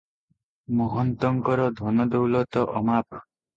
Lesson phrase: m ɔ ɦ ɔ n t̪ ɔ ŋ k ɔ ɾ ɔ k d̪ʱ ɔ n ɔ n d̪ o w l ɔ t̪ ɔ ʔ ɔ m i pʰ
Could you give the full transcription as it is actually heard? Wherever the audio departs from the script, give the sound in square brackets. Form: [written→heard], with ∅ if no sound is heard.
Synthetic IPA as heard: m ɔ ɦ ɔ n t̪ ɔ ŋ k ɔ ɾ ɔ [k→∅] d̪ʱ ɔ n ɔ [n→∅] d̪ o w l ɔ t̪ ɔ ʔ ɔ m [i→a] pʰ